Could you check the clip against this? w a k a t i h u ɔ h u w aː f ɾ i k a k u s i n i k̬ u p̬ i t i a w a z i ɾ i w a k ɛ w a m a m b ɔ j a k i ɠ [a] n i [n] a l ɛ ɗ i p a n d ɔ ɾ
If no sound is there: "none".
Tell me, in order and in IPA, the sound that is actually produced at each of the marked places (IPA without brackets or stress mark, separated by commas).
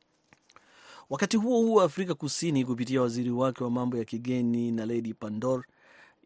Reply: ɛ, n